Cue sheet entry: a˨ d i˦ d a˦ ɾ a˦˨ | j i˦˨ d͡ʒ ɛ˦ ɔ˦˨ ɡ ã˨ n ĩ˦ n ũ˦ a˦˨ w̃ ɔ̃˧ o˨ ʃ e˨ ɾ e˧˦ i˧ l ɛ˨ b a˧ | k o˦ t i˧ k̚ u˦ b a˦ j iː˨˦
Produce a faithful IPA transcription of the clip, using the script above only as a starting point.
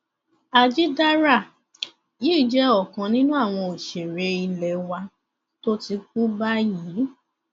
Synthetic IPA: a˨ d͡ʒ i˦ d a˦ ɾ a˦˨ | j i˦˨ d͡ʒ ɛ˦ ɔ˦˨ k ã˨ n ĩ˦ n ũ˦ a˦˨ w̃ ɔ̃˧ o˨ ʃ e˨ ɾ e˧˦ i˧ l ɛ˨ w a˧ | t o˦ t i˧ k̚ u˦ b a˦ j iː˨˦